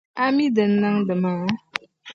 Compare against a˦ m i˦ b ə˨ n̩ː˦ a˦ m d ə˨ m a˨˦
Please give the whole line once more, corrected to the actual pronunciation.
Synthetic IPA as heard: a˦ m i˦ d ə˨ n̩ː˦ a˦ ŋ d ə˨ m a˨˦